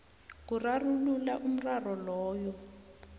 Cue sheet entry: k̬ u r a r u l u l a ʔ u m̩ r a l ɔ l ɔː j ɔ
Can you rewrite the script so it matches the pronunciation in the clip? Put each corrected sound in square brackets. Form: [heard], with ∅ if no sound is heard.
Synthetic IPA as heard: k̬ u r a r u l u l a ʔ u m̩ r a [r] ɔ l ɔː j ɔ